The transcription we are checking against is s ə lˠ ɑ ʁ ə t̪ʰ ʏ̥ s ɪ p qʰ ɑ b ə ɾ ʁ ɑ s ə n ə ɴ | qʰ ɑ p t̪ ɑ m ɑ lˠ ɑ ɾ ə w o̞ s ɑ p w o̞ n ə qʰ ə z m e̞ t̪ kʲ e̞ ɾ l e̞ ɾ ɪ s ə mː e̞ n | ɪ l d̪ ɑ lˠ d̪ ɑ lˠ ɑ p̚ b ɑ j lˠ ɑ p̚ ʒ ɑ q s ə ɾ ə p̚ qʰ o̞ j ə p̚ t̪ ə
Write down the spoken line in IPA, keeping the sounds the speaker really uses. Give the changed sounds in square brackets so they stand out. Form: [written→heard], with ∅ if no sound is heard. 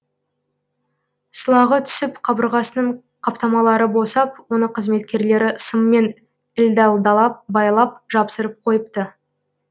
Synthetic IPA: s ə lˠ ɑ ʁ ə t̪ʰ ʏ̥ s ɪ p qʰ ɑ b ə ɾ ʁ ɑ s ə n ə ɴ | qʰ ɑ p t̪ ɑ m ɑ lˠ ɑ ɾ ə [w→b] o̞ s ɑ p w o̞ n ə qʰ ə z m e̞ t̪ kʲ e̞ ɾ l e̞ ɾ ɪ s ə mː e̞ n | ɪ l d̪ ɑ lˠ d̪ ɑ lˠ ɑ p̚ b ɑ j lˠ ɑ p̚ ʒ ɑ [q→p] s ə ɾ ə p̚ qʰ o̞ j ə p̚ t̪ ə